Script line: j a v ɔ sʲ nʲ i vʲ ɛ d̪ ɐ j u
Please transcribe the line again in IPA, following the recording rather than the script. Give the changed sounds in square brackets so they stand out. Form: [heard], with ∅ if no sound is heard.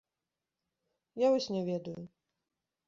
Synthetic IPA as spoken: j a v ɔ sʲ nʲ [ɛ] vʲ ɛ d̪ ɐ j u